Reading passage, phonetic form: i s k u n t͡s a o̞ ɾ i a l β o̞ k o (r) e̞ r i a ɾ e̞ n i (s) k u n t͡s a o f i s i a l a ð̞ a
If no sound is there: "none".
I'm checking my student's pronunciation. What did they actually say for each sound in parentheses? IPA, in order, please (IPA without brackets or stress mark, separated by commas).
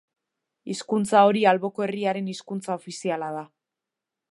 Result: none, s